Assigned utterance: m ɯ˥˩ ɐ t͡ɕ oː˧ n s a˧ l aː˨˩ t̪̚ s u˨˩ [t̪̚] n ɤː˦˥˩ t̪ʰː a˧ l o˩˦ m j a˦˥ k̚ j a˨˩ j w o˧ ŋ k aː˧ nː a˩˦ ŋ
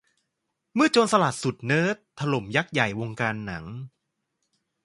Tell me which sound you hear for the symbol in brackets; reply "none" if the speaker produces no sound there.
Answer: t̪̚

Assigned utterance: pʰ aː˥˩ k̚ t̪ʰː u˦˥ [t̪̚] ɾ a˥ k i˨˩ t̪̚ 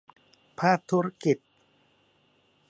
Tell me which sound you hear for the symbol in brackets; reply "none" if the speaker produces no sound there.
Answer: none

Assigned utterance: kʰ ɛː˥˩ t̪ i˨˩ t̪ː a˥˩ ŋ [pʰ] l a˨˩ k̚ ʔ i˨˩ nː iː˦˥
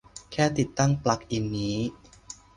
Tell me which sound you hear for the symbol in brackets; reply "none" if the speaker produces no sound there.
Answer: p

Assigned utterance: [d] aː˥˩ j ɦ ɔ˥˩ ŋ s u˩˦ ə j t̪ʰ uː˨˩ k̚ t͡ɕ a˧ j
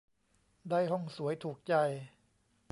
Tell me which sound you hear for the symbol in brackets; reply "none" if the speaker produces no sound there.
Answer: d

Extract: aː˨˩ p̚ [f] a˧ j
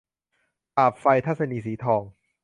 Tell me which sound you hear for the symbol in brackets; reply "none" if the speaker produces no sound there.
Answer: f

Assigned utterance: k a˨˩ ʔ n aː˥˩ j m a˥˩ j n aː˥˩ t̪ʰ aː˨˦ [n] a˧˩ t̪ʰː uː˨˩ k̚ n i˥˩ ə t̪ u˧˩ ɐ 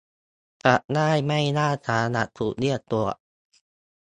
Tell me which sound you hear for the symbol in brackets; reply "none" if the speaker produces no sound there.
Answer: n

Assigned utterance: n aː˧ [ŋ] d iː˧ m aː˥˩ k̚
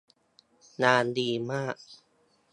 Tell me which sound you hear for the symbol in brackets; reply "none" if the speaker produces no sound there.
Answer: n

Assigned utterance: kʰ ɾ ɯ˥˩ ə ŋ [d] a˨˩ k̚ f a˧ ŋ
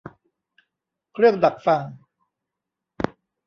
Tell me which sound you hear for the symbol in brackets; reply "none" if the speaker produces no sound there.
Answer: d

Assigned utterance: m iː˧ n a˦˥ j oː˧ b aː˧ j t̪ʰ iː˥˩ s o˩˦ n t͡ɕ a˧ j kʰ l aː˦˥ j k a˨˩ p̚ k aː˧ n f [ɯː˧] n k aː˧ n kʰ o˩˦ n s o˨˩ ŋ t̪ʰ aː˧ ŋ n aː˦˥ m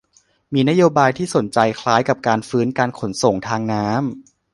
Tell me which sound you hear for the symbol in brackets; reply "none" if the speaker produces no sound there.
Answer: ɯː˦˥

